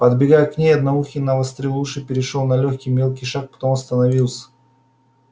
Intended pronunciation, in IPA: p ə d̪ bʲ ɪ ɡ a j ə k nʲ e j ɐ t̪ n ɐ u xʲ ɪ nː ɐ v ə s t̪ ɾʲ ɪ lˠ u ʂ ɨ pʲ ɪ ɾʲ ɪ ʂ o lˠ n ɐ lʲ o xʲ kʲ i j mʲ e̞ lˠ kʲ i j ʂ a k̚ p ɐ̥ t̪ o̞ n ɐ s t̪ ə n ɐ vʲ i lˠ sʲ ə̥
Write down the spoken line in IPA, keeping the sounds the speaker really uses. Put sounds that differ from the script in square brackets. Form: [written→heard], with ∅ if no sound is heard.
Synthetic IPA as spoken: p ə d̪ bʲ ɪ ɡ a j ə k nʲ e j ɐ [t̪→d̪] n ɐ u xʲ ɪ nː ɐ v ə s t̪ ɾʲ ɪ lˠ u ʂ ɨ pʲ ɪ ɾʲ ɪ ʂ o lˠ n ɐ lʲ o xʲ kʲ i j mʲ e̞ lˠ kʲ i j ʂ a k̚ p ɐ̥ t̪ o̞ [n→m] ɐ s t̪ ə n ɐ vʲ i lˠ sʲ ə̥